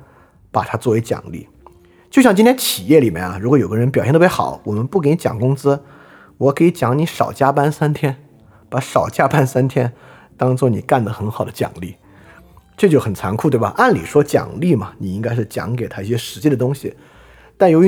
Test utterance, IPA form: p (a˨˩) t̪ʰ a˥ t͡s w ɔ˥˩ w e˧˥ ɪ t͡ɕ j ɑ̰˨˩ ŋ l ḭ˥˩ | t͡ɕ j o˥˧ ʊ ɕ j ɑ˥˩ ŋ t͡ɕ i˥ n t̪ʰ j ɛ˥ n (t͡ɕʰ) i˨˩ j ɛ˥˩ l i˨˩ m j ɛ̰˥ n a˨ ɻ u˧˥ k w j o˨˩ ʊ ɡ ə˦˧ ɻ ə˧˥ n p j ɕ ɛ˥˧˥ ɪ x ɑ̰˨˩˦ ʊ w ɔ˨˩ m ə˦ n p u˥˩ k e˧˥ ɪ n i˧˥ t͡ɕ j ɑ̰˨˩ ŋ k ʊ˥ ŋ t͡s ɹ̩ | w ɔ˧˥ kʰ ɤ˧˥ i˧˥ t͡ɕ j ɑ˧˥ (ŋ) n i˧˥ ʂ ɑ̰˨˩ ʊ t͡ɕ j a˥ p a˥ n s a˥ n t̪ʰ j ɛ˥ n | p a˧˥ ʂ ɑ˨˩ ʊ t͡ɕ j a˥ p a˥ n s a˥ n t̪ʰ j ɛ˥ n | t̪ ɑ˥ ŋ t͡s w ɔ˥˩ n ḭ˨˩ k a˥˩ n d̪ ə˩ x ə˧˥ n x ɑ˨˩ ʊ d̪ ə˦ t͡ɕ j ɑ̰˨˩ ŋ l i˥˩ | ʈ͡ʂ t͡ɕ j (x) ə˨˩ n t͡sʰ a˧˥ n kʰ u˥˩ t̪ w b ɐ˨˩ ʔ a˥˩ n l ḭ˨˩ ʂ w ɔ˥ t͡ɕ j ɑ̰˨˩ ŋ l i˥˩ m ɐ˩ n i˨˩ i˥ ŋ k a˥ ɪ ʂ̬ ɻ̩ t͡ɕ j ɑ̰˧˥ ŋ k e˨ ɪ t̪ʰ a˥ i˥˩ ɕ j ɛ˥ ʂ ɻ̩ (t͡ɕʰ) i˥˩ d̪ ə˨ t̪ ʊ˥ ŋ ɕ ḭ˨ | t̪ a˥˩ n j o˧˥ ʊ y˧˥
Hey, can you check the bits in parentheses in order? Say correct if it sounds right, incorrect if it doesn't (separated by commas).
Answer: correct, correct, correct, correct, incorrect